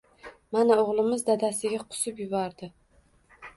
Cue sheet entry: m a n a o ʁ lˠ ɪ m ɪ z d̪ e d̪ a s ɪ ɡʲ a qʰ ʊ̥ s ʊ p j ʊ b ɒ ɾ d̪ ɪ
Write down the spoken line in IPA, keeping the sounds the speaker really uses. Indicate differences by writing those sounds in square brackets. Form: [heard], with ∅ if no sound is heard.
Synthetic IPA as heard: m a n a o ʁ lˠ ɪ m ɪ z d̪ [a] d̪ a s ɪ ɡʲ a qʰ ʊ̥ s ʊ p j ʊ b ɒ ɾ d̪ ɪ